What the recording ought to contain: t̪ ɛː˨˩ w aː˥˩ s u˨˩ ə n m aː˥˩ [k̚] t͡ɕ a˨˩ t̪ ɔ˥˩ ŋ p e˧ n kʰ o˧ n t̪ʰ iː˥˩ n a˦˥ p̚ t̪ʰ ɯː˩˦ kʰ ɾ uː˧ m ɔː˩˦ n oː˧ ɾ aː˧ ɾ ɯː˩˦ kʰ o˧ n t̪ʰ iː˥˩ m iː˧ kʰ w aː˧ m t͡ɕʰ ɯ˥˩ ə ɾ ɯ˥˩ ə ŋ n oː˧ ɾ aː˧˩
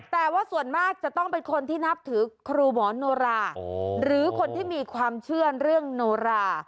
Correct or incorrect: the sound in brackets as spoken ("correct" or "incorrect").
correct